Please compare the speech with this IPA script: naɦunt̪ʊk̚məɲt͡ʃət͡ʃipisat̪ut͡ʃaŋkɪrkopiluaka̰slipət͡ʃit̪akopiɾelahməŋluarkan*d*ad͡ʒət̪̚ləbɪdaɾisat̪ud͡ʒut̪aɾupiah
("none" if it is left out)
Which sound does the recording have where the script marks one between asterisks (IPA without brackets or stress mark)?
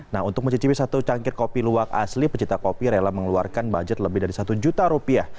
b